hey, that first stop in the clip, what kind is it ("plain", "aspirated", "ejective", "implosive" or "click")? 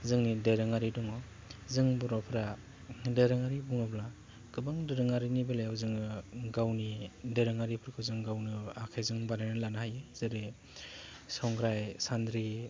plain